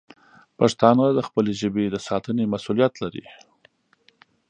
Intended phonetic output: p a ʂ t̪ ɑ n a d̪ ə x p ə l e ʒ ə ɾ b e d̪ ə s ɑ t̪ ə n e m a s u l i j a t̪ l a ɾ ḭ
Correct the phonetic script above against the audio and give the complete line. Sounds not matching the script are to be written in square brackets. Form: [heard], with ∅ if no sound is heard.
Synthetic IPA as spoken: p a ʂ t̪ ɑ n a d̪ ə x p ə l e ʒ ə [∅] b e d̪ ə s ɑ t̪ ə n e m a s u l i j a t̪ l a ɾ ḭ